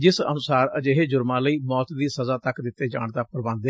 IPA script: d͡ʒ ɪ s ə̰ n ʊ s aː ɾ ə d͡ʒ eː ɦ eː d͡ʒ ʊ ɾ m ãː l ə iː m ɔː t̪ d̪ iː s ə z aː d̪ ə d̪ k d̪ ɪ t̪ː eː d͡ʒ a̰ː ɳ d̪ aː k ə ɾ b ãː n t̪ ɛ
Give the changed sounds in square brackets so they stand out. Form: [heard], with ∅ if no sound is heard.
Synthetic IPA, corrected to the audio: d͡ʒ ɪ s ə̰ n ʊ s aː ɾ ə d͡ʒ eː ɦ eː d͡ʒ ʊ ɾ m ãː l ə iː m ɔː t̪ d̪ iː s ə z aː [t̪] ə [∅] k d̪ ɪ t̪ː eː d͡ʒ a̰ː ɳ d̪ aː [p] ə ɾ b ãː n [d̪] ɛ

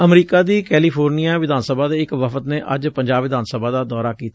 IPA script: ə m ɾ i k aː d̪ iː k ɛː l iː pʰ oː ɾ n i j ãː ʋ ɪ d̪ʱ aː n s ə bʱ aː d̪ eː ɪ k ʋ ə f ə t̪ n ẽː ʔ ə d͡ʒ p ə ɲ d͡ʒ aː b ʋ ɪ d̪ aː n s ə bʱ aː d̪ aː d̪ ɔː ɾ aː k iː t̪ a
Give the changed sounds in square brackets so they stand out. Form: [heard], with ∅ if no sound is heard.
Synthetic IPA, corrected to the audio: ə m ɾ [iː] k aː d̪ iː k ɛː l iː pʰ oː ɾ n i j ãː ʋ ɪ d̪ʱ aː n s ə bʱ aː d̪ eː ɪ k ʋ ə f ə t̪ n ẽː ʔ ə d͡ʒ p ə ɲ d͡ʒ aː b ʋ ɪ d̪ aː n s ə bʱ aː d̪ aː d̪ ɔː ɾ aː k iː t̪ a

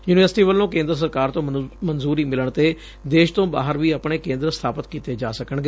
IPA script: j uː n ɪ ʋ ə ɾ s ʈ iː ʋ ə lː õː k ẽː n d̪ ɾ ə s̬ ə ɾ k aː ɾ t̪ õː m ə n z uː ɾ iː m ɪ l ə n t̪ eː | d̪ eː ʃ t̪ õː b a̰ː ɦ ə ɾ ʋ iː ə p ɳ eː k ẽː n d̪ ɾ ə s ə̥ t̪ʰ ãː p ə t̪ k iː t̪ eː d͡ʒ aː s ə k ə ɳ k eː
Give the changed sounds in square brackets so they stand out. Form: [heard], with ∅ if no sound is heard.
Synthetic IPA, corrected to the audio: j uː n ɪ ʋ ə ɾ s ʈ iː ʋ ə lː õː k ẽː n d̪ ɾ ə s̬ ə ɾ k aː ɾ t̪ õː m ə n z uː ɾ iː m ɪ l ə [ɳ] t̪ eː | d̪ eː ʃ t̪ õː b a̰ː ɦ ə ɾ ʋ iː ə p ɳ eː k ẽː n d̪ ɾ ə s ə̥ t̪ʰ [aː] p ə t̪ k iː t̪ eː d͡ʒ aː s ə k ə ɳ [ɡ] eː

